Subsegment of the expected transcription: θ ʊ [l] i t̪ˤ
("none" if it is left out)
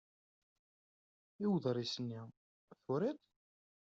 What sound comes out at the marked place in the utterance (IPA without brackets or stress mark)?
ɾ